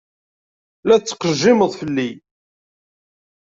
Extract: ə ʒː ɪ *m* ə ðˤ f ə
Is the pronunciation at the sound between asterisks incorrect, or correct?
correct